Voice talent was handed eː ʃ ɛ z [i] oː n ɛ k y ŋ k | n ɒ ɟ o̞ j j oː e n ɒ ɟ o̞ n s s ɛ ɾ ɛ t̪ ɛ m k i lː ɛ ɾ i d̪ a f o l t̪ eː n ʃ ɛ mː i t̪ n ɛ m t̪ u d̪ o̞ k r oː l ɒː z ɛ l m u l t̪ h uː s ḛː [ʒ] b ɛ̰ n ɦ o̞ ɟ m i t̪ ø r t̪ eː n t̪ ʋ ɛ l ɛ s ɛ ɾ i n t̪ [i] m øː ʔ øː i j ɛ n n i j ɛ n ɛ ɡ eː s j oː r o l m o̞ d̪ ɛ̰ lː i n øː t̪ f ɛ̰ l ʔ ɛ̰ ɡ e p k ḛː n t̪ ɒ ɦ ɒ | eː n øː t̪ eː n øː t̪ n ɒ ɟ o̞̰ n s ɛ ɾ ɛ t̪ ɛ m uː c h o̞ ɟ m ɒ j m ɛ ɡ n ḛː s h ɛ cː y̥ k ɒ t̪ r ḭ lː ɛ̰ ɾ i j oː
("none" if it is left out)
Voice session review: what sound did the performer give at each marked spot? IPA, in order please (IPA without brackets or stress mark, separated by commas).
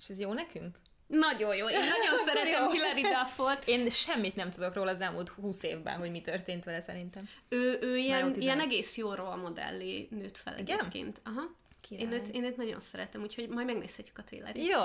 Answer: j, v, ɛ